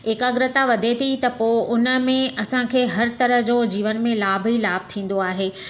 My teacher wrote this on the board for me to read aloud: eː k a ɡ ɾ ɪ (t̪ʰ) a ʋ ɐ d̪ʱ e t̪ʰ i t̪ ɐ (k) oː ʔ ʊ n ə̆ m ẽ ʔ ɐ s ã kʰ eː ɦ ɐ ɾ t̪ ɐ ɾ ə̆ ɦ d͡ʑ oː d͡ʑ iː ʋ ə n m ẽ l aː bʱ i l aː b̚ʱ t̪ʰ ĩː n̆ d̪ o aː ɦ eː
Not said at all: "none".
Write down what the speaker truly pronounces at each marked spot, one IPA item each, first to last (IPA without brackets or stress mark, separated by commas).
t̪, p